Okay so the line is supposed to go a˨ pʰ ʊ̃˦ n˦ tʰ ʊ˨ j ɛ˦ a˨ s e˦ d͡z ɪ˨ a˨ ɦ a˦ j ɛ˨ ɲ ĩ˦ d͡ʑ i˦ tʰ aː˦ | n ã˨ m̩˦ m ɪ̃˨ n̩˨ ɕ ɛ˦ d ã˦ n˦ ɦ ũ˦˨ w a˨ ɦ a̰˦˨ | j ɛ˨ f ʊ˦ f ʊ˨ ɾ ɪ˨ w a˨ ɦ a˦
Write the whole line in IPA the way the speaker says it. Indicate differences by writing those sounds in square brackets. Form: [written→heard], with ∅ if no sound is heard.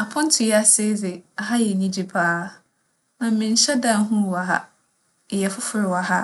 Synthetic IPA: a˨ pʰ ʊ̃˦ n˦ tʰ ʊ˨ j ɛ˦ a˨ s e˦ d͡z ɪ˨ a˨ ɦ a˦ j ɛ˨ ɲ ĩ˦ d͡ʑ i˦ [tʰ→pʰ] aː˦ | n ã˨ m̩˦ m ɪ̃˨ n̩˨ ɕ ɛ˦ d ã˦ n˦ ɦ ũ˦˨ w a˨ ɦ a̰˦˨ | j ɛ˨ f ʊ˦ f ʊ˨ ɾ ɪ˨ w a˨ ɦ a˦

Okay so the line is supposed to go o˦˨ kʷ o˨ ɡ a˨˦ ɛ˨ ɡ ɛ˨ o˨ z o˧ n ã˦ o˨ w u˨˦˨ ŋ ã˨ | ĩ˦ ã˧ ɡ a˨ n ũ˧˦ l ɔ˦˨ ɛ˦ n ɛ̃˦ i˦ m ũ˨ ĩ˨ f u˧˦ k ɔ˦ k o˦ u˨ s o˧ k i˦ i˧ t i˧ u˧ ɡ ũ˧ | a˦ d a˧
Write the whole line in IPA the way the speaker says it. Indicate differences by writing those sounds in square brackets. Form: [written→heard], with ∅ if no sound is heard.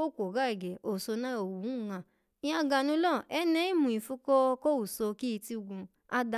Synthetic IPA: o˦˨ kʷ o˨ ɡ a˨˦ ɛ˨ ɡ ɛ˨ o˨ [z→s] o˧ n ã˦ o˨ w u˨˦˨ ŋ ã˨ | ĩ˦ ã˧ ɡ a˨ n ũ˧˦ l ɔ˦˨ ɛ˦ n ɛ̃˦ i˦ m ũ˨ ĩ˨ f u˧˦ k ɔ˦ k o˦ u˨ s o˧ k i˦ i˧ t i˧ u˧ ɡ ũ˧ | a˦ d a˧

